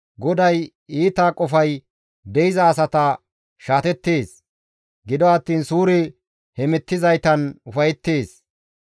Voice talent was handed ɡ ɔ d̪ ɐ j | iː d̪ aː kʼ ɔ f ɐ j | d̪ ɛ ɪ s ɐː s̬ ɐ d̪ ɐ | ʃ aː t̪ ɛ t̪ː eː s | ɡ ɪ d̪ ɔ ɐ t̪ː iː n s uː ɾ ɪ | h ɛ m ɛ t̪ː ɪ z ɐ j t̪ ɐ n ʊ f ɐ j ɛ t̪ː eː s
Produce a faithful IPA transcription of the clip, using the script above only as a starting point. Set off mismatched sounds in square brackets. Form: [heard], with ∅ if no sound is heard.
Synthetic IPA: ɡ ɔ d̪ ɐ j | iː [t̪] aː kʼ ɔ f ɐ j | d̪ ɛ ɪ [z] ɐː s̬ ɐ [t̪] ɐ | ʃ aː t̪ ɛ t̪ː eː s | ɡ ɪ d̪ ɔ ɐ t̪ː iː n s uː ɾ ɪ | h ɛ m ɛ t̪ː ɪ z ɐ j t̪ ɐ n ʊ f ɐ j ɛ t̪ː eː s